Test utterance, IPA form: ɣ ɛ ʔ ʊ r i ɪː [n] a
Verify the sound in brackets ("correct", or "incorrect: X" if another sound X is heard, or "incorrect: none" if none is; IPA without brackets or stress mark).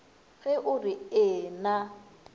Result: correct